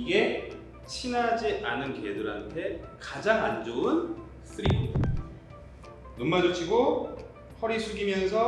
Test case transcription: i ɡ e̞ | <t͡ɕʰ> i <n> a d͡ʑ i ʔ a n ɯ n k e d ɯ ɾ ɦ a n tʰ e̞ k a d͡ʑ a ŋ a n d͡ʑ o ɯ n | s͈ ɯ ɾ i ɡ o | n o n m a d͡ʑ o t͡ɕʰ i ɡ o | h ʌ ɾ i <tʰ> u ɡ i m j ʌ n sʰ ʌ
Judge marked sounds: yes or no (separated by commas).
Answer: yes, yes, no